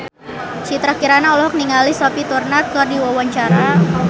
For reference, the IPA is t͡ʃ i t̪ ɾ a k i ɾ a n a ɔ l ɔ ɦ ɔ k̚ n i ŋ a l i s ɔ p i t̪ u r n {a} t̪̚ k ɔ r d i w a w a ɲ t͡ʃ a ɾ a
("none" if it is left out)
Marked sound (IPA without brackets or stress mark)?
a